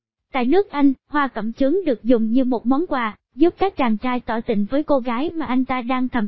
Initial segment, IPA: t̪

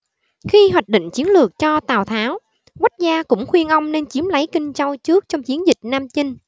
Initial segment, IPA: x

